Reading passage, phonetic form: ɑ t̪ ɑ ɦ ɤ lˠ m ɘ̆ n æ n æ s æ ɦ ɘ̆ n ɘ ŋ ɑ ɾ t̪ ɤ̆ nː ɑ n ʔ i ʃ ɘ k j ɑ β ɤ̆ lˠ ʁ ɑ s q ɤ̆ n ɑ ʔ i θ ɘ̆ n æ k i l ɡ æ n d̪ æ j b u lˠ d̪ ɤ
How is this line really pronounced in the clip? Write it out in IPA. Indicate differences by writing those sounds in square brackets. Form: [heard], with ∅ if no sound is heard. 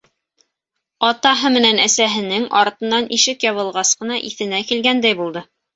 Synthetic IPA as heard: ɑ t̪ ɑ ɦ ɤ [∅] m ɘ̆ n æ n æ s æ ɦ ɘ̆ n ɘ ŋ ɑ ɾ t̪ ɤ̆ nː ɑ n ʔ i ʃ ɘ k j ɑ β ɤ̆ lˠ ʁ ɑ s q ɤ̆ n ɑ ʔ i θ ɘ̆ n æ k i l ɡ æ n d̪ æ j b u lˠ d̪ ɤ